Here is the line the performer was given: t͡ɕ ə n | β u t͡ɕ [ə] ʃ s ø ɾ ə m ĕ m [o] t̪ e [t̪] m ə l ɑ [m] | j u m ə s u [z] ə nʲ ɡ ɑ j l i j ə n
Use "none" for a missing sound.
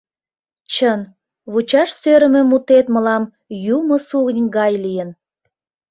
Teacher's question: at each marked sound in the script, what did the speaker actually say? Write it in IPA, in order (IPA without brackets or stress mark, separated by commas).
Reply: ɑ, u, t̪, m, ɣ